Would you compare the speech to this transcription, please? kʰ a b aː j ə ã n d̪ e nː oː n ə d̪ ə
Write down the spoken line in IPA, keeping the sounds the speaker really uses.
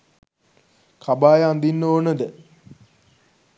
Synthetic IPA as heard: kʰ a b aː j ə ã n d̪ i nː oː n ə d̪ ə